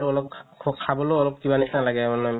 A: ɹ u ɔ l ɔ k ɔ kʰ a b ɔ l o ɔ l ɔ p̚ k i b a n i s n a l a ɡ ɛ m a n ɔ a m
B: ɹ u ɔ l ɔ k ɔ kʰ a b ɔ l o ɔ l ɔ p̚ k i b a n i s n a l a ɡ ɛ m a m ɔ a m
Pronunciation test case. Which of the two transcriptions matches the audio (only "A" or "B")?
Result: A